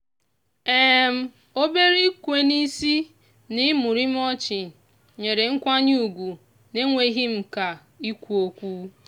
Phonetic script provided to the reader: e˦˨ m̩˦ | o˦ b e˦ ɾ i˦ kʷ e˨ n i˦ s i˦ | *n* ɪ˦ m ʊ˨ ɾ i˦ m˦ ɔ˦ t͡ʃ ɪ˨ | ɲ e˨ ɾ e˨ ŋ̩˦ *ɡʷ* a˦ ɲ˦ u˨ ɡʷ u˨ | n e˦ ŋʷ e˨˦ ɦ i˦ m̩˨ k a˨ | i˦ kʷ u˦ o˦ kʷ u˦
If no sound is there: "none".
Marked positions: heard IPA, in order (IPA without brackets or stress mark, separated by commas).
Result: n, kʷ